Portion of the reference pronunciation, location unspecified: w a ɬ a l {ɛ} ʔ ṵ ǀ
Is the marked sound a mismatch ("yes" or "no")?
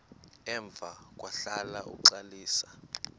yes